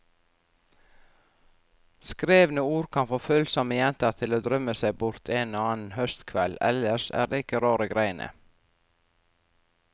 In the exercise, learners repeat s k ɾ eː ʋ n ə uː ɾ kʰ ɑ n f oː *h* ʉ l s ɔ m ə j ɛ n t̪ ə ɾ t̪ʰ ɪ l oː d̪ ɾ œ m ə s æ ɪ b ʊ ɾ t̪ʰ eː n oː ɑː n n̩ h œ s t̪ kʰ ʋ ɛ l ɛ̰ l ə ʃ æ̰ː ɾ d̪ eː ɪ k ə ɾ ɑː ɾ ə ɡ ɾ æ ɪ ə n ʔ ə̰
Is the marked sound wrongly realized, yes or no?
yes